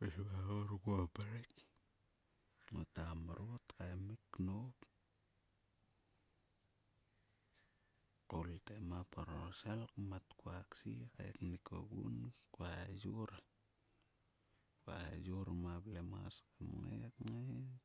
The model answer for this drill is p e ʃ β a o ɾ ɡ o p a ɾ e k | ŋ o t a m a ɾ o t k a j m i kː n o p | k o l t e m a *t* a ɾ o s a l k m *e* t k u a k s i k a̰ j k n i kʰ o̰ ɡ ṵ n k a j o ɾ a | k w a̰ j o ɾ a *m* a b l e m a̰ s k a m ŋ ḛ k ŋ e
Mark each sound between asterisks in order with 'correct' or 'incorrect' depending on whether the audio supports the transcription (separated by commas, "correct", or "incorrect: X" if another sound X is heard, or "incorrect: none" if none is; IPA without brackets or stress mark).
incorrect: p, incorrect: a, correct